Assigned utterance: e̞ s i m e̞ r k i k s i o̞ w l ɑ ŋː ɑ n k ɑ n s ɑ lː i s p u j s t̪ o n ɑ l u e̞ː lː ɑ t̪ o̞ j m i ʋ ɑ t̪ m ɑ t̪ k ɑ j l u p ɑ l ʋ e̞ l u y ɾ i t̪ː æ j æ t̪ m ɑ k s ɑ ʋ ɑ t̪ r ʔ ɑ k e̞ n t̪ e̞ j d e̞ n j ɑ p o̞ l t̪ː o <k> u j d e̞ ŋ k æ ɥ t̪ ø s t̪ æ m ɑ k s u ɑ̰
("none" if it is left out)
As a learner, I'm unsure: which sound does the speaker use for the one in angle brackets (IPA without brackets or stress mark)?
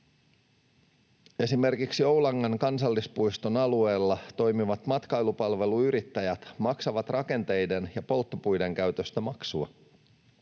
p